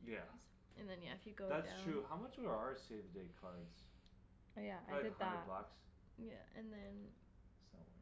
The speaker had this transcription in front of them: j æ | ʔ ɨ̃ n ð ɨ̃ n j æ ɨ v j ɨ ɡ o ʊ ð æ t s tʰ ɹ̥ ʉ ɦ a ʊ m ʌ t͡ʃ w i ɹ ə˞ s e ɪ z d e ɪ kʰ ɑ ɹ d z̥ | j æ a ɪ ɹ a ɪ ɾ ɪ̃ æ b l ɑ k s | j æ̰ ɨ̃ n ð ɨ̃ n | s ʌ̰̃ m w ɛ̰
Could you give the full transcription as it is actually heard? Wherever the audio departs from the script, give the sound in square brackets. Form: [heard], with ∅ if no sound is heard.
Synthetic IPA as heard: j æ | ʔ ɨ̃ n ð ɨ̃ n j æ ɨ [f] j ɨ ɡ o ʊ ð æ t s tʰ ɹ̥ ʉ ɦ a ʊ m ʌ t͡ʃ w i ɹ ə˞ s e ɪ [v] d e ɪ kʰ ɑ ɹ d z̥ | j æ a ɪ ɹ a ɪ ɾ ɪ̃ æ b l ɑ k s | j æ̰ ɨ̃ n ð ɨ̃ n | s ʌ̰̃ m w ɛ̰